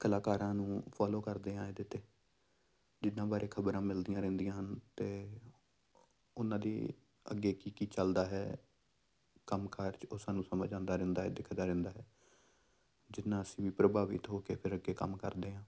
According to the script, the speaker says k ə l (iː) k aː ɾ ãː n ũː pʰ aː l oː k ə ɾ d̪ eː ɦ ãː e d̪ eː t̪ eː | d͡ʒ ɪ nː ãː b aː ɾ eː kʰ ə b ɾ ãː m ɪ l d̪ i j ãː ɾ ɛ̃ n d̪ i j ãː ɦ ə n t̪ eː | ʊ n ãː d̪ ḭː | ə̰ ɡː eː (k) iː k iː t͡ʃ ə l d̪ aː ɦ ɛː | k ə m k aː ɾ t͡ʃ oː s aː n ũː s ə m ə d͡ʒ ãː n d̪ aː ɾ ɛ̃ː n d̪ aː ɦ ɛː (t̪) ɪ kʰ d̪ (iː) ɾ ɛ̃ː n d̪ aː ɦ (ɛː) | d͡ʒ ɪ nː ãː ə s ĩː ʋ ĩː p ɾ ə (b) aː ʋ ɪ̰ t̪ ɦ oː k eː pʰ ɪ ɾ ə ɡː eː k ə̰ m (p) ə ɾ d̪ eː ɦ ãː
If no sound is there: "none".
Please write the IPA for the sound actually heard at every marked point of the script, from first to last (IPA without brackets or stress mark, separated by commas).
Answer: aː, k, d̪, aː, ɛː, b, k